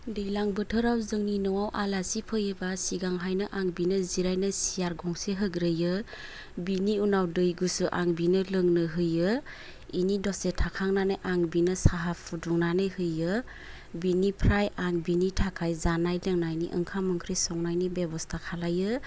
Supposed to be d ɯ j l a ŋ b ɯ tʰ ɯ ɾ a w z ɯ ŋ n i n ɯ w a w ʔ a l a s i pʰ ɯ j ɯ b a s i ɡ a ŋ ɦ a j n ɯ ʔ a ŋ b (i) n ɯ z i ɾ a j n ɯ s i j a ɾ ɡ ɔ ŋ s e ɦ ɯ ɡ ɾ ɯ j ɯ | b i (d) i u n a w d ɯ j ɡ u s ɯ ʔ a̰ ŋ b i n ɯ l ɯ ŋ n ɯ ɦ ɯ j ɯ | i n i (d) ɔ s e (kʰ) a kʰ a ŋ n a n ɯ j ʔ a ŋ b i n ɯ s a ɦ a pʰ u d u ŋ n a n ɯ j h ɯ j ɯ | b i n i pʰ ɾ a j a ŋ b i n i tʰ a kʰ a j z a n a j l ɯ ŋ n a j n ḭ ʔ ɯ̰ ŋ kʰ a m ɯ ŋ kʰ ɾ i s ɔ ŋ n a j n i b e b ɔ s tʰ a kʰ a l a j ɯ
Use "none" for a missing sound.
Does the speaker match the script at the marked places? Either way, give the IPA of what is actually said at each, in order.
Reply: i, n, d, tʰ

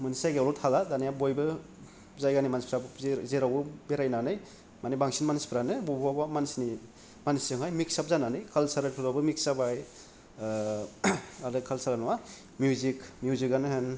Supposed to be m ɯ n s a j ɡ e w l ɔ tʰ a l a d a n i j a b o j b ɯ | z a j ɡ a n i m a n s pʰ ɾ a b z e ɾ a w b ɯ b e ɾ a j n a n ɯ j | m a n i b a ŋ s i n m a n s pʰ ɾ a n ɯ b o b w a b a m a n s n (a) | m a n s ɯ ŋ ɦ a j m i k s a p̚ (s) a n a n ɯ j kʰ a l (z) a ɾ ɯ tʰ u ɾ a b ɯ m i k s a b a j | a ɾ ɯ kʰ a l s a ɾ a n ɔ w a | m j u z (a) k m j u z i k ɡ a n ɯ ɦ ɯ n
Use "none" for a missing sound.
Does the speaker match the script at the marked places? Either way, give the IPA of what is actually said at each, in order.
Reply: i, z, s, i

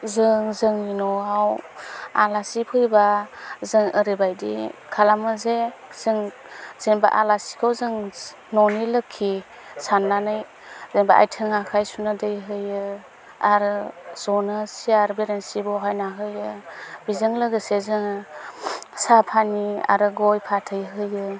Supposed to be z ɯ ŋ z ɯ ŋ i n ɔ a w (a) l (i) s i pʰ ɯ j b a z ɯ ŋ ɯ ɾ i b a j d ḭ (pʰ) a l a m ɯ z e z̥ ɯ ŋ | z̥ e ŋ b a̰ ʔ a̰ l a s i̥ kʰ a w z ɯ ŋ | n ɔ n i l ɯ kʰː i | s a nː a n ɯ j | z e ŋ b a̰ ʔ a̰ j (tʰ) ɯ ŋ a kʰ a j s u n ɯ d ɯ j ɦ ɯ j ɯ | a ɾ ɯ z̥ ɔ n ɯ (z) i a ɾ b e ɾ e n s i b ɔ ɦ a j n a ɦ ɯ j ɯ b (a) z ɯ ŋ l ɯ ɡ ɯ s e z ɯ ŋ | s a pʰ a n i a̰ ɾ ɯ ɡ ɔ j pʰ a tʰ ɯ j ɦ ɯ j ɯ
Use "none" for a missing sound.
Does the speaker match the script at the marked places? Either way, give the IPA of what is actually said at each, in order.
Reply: a, a, kʰ, tʰ, s, i

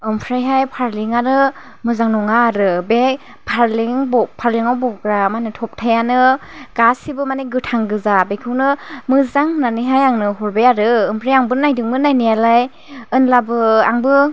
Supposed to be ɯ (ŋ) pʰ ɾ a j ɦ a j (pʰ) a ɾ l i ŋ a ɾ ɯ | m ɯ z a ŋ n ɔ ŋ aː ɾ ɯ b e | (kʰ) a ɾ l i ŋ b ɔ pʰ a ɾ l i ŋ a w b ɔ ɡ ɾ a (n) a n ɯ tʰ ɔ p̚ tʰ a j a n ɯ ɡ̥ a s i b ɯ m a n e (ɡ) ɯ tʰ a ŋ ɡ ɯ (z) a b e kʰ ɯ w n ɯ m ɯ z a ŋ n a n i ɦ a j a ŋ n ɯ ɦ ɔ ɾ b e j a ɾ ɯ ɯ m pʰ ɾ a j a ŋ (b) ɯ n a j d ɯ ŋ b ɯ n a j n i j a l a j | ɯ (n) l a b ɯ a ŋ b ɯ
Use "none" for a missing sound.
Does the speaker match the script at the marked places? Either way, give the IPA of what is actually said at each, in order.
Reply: m, pʰ, pʰ, m, ɡ, z, b, n

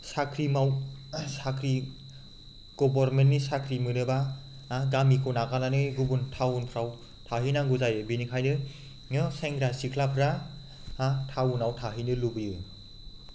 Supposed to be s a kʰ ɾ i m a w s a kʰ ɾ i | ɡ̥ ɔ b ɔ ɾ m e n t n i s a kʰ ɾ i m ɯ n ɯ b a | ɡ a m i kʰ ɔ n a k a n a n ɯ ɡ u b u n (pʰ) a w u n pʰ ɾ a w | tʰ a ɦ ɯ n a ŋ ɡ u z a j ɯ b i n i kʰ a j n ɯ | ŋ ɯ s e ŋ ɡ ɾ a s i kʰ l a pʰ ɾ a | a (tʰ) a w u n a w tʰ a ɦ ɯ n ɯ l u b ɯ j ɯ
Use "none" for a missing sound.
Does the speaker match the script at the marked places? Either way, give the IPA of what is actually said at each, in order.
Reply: tʰ, tʰ

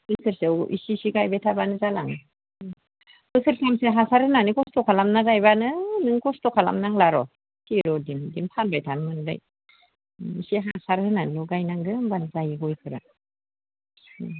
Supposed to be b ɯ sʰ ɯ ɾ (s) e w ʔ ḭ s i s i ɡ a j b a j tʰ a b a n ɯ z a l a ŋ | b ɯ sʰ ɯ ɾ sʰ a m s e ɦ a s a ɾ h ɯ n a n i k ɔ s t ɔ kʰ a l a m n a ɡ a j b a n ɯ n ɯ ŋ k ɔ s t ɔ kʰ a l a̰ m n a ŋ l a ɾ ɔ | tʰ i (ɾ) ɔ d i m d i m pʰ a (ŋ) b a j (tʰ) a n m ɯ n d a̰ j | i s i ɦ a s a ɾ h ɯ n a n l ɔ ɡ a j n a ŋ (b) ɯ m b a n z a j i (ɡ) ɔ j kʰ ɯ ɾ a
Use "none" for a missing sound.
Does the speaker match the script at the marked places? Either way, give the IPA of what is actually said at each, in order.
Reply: s, ɾ, n, tʰ, ɡ, ɡ

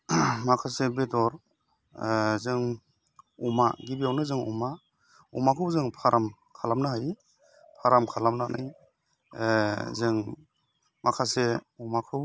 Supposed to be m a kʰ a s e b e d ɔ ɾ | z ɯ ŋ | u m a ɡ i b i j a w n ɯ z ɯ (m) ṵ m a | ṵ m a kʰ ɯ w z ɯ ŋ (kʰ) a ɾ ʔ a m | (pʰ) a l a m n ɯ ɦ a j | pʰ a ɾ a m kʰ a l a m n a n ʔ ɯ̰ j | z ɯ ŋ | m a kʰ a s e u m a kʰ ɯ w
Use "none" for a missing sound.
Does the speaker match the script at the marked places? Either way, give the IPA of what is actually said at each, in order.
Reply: ŋ, pʰ, kʰ

